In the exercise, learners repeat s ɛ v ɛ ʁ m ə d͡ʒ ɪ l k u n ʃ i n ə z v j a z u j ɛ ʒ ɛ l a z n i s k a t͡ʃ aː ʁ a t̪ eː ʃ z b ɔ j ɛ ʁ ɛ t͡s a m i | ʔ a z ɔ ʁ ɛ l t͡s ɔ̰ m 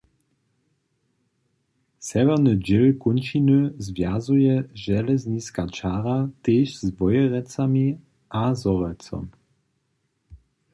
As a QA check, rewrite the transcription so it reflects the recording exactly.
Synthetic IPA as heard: s ɛ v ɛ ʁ n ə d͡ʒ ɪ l k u n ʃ i n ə z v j a z u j ɛ ʒ ɛ l ɛ z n i s k a t͡ʃ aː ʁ a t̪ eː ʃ z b ɔ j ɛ ʁ ɛ t͡s a m i | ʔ a z ɔ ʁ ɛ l t͡s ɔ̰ m

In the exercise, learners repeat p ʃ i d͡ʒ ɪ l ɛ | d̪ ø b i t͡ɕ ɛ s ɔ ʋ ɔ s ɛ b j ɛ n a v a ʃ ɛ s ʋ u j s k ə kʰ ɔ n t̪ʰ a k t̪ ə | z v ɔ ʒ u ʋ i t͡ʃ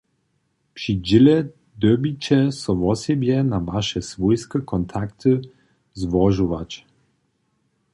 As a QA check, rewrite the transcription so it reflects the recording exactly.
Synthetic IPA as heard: p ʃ i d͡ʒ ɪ l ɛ | d̪ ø b i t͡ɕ ɛ s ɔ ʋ ɔ s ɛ b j ɛ n a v a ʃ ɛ s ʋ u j s k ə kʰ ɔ n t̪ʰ a k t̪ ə | z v ɔ ʒ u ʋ a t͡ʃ

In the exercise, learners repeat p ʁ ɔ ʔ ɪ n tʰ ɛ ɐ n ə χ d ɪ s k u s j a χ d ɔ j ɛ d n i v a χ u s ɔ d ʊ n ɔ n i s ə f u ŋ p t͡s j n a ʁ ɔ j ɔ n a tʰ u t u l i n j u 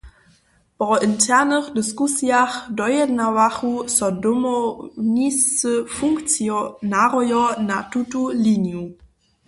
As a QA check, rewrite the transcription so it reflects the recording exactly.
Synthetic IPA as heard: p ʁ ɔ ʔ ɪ n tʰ ɛ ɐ n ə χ d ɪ s k u s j a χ d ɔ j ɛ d n a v a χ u s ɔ d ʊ m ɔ n i s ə f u ŋ k t͡s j n a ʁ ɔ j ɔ n a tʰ u t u l i n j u

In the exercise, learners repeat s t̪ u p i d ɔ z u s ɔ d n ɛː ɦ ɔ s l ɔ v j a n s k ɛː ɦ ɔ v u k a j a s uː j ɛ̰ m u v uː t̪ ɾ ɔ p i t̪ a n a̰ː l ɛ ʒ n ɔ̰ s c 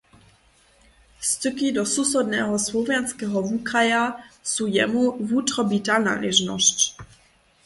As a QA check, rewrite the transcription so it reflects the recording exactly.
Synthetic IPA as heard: s t̪ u k i d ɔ s u s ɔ d n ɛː ɦ ɔ s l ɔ v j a n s k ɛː ɦ ɔ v u k a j a s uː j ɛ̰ m u v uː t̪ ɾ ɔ b i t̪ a n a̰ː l ɛ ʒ n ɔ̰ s c

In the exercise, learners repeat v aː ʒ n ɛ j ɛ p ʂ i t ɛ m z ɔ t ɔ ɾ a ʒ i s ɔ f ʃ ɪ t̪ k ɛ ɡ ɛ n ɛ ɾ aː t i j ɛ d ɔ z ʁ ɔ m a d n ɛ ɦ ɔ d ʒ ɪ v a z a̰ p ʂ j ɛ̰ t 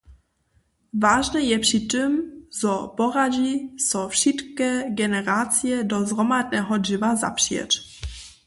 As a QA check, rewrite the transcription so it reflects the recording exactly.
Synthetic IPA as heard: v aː ʒ n ɛ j ɛ p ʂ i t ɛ m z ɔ p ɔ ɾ a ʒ i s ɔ f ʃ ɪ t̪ k ɛ ɡ ɛ n ɛ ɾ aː t͡s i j ɛ d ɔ z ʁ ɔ m a d n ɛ ɦ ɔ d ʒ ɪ v a z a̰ p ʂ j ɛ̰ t

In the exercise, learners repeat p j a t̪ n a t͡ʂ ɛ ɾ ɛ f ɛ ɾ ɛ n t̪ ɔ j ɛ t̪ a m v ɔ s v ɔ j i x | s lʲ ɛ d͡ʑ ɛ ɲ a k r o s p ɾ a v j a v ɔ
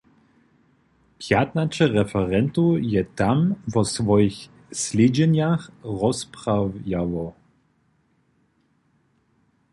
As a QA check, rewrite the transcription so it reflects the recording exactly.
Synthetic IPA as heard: p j a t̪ n a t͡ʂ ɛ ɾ ɛ f ɛ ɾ ɛ n t̪ u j ɛ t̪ a m v ɔ s v ɔ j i x | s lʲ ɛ d͡ʑ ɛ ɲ a x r ɔ s p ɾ a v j a v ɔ

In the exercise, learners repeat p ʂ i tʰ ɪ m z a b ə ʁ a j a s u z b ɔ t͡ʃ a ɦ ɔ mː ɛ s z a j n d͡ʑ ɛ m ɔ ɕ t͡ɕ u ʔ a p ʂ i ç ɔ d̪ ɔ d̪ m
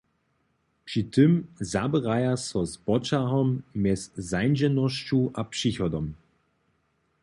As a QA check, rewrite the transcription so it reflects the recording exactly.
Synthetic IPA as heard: p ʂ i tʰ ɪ m z a b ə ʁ a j a s ɔ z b ɔ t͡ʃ a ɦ ɔ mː ɛ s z a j n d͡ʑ ɛ n ɔ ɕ t͡ɕ u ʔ a p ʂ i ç ɔ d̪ ɔ m

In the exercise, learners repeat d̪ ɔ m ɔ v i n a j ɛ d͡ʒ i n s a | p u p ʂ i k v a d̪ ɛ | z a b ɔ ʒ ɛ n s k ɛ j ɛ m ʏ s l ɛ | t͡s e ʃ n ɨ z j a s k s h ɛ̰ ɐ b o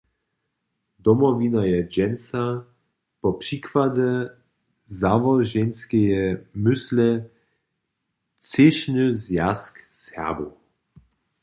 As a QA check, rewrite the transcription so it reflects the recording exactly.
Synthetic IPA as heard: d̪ ɔ m ɔ v i n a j ɛ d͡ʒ ɛ n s a | p ɔ p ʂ i k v a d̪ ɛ | z a v ɔ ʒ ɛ n s k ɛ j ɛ m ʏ s l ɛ | t͡s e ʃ n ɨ z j a s k s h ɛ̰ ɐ b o

